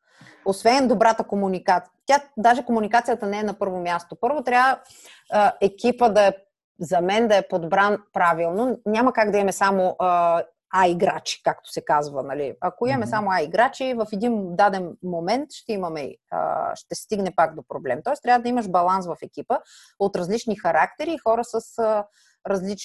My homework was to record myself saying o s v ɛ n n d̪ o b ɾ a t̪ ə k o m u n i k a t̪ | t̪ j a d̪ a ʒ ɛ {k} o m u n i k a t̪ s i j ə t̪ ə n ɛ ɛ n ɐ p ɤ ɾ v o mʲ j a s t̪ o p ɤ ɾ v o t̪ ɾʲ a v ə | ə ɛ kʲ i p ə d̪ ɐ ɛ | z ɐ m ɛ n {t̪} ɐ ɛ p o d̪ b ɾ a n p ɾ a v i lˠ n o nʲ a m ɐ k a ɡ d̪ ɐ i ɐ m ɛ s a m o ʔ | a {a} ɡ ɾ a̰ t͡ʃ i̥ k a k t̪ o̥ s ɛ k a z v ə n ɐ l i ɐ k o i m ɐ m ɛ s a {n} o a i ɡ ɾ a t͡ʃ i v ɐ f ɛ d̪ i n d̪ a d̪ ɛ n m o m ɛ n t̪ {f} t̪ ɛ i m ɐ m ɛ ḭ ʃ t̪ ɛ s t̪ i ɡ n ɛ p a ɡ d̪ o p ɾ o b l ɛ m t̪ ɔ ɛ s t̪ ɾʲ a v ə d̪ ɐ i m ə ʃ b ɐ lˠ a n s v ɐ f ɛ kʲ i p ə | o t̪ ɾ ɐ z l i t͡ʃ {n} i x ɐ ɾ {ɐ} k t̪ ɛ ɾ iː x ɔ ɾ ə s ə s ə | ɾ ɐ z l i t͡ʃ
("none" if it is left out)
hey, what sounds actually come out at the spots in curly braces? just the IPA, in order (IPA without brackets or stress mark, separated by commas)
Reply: k, d̪, i, m, ʃ, n, a